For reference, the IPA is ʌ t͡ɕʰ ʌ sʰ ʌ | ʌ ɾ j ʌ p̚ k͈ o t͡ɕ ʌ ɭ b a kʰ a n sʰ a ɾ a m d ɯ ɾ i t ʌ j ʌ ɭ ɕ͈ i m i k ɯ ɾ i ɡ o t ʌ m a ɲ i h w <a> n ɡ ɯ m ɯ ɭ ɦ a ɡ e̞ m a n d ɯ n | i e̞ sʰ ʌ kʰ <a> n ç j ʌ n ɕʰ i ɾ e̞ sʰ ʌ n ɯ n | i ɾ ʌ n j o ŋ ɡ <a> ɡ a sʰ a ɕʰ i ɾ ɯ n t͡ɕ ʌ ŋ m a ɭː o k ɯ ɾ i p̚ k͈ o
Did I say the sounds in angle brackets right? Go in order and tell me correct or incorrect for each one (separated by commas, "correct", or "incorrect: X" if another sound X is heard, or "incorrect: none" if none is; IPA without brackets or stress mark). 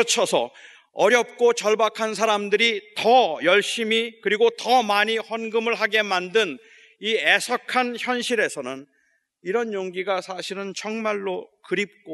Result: incorrect: ʌ, correct, incorrect: i